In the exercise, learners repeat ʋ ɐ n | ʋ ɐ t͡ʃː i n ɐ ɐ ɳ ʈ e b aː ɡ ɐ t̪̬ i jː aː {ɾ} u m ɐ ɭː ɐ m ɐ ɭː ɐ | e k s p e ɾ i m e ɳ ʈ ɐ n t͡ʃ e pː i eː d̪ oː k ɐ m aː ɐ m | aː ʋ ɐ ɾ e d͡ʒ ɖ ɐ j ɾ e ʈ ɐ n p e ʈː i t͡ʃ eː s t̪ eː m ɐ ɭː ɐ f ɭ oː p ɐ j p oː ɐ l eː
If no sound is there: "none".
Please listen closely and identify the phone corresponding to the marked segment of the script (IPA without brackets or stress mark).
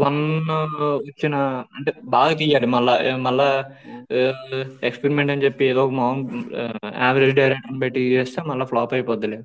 ɽ